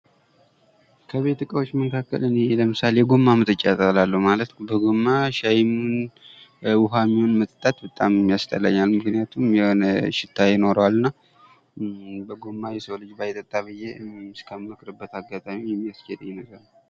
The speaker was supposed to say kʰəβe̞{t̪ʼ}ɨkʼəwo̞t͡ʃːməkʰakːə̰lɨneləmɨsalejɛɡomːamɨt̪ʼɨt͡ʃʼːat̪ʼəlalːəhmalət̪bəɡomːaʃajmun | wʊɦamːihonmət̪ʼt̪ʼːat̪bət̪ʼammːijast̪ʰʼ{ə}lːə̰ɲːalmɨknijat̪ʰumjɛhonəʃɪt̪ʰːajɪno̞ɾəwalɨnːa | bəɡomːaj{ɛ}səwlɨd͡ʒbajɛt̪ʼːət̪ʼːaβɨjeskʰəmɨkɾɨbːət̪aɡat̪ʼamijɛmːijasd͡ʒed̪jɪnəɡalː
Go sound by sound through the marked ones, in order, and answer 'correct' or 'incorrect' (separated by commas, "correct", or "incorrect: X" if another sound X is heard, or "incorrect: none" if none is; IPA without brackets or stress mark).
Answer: incorrect: t̪, correct, correct